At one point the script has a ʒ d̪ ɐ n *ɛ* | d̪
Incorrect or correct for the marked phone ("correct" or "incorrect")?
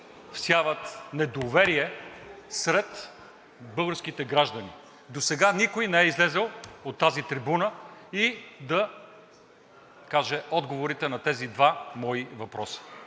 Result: incorrect